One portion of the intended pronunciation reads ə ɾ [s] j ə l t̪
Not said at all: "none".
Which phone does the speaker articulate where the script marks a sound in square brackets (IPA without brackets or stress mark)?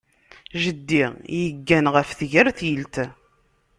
θ